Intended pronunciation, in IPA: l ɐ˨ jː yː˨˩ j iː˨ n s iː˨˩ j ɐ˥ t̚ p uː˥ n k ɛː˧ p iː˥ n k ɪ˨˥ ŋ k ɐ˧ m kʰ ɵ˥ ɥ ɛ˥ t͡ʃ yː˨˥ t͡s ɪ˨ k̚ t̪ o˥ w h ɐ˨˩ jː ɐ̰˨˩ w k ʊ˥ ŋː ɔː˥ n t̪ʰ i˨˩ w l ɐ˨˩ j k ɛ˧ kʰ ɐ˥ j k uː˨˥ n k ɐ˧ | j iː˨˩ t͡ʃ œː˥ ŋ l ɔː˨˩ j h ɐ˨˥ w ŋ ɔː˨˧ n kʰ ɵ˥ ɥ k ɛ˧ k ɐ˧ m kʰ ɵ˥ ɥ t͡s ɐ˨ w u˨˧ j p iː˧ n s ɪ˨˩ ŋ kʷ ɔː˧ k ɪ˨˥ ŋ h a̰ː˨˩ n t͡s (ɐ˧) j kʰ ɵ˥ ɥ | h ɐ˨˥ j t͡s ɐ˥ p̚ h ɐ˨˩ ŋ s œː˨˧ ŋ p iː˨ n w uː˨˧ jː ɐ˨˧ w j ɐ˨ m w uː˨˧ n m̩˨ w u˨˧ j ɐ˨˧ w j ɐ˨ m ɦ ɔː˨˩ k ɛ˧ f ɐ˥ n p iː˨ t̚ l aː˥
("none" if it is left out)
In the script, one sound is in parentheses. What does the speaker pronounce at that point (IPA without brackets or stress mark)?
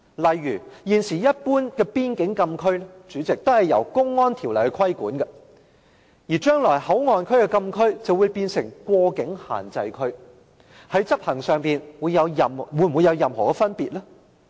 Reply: ɐ˧